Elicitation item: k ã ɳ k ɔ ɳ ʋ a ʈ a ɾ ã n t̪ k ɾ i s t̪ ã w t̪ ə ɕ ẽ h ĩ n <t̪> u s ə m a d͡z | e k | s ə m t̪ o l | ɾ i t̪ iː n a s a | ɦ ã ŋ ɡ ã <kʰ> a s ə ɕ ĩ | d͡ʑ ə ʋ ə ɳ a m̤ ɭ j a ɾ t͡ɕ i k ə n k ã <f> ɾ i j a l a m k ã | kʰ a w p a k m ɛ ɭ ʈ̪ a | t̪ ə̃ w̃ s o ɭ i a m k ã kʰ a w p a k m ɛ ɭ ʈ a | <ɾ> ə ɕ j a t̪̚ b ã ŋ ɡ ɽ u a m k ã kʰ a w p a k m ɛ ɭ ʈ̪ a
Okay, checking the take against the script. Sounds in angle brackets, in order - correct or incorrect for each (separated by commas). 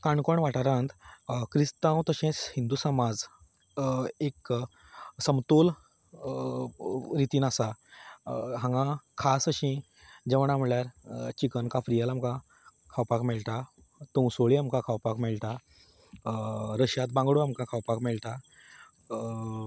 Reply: incorrect, correct, correct, correct